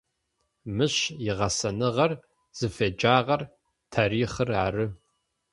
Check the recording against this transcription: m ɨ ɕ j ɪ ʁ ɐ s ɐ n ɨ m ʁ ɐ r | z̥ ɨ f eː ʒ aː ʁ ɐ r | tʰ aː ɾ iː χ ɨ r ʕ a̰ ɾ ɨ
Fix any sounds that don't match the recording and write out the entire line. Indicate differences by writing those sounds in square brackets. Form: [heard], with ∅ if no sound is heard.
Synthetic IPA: m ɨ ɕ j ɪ ʁ ɐ s ɐ n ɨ [∅] ʁ ɐ r | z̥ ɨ f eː [d͡ʒ] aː ʁ ɐ r | tʰ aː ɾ iː χ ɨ r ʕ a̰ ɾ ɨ